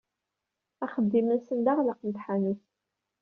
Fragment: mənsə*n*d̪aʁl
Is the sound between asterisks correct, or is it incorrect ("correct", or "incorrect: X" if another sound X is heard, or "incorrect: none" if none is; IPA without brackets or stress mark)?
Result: correct